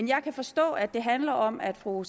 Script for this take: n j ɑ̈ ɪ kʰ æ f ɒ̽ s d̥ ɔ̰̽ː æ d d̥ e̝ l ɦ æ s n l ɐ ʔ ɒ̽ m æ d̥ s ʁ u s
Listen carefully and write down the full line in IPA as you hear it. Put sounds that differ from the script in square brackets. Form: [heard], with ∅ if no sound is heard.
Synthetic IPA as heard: n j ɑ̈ ɪ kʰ æ f ɒ̽ s d̥ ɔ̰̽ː æ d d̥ e̝ [∅] ɦ æ [∅] n l ɐ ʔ ɒ̽ m æ d̥ [f] ʁ u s